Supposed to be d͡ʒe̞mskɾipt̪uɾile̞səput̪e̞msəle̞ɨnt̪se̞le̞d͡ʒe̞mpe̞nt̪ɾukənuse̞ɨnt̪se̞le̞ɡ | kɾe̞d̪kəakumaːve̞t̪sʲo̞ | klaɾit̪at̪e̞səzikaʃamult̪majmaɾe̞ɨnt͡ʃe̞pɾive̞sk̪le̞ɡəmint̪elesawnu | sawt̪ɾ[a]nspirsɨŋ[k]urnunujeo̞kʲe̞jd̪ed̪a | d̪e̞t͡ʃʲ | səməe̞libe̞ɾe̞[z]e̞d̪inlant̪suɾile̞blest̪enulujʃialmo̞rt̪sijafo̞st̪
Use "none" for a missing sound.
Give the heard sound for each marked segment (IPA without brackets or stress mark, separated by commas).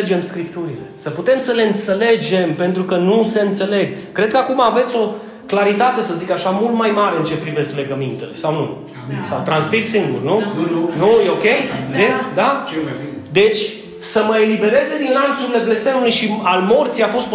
a, ɡ, z